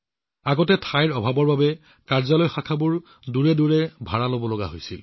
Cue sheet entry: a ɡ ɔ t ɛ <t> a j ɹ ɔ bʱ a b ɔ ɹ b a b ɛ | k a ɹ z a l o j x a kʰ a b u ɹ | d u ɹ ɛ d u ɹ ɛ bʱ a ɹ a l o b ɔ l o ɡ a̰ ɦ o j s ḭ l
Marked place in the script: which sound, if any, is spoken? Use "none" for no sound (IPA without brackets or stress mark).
tʰ